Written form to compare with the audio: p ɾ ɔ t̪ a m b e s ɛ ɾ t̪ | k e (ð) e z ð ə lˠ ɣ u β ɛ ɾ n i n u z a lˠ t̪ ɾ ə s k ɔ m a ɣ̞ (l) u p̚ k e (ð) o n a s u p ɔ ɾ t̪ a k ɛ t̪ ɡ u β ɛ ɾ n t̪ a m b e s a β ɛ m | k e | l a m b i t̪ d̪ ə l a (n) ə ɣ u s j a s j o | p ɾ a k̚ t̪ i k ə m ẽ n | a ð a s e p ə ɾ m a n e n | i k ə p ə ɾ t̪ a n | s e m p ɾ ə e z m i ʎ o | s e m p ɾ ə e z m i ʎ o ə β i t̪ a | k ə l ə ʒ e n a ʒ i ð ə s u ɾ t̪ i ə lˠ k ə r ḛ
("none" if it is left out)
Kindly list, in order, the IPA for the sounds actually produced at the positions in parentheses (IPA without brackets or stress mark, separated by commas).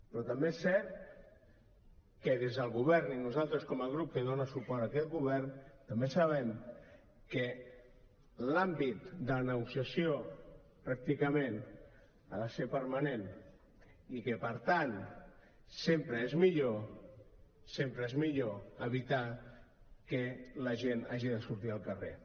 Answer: ð, ɾ, ð, n